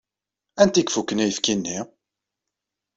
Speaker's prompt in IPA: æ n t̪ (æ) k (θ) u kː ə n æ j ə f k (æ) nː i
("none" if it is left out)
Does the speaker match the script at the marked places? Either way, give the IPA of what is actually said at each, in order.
i, f, i

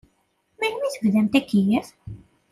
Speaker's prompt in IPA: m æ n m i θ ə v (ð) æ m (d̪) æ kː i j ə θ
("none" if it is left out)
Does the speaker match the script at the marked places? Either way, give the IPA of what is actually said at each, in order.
ð, t̪

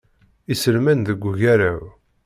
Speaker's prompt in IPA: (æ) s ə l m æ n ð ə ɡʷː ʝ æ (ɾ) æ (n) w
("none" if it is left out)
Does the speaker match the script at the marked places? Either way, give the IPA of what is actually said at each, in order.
i, ɾ, none

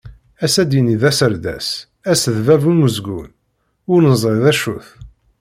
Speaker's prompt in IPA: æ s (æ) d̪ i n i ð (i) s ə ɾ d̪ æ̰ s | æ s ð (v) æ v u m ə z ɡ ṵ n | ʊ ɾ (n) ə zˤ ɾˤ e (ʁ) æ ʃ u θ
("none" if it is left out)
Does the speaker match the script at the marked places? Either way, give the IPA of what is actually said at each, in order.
æ, æ, v, n, ð

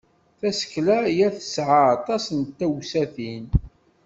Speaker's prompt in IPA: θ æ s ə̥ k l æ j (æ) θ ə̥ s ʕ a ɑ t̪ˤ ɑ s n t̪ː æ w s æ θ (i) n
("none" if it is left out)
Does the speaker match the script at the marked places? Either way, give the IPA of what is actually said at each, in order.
æ, i

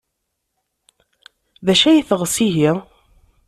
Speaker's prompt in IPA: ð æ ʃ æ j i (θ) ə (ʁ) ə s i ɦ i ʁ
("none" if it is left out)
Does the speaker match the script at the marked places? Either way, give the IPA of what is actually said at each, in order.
θ, ʁ

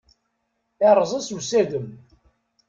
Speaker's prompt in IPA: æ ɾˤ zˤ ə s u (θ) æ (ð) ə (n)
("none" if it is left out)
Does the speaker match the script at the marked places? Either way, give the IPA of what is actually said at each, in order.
s, ð, m

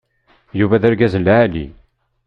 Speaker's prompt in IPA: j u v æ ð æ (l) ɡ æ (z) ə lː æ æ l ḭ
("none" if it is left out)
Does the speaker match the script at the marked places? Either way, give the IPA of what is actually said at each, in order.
ɾ, z

